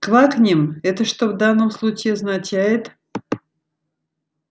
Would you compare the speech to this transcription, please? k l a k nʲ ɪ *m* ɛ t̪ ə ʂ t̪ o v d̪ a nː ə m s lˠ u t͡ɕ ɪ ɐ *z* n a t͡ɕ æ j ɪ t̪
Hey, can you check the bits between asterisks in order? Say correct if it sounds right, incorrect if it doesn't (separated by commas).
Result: correct, correct